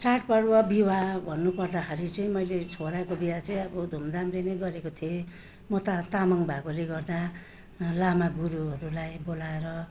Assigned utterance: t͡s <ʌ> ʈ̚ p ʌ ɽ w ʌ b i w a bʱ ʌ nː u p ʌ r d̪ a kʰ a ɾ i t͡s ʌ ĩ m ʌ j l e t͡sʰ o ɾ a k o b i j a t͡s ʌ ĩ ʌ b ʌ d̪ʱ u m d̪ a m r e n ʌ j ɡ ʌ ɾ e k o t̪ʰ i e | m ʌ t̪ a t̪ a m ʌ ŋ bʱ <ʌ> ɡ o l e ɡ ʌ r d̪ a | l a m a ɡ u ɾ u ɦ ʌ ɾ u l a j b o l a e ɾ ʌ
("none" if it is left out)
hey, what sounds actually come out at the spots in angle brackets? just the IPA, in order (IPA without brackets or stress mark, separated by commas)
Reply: a, a